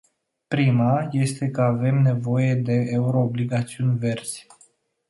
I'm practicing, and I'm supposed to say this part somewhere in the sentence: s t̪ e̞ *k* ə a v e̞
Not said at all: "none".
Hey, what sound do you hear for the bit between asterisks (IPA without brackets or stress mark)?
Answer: k